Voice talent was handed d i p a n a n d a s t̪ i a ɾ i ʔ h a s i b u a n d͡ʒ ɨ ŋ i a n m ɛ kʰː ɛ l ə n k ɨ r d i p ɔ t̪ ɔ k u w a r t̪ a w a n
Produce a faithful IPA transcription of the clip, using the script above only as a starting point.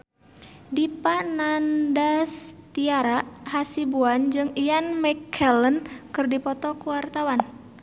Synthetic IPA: d i p a n a n d a s t̪ i a ɾ a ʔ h a s i b u a n d͡ʒ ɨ ŋ i a n m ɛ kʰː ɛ l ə n k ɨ r d i p ɔ t̪ ɔ k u w a r t̪ a w a n